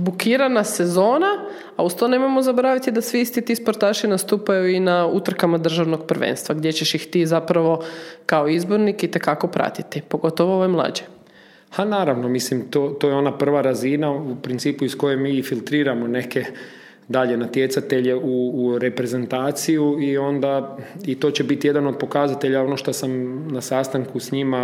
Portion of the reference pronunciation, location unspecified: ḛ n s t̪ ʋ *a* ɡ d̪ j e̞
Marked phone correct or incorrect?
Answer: correct